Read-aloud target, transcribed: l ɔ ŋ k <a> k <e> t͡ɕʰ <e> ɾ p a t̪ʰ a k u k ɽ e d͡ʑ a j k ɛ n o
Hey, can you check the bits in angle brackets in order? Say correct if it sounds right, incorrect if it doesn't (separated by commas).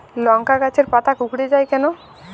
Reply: correct, incorrect, correct